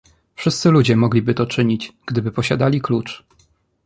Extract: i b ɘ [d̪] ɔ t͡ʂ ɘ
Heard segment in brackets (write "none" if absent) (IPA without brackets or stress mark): t̪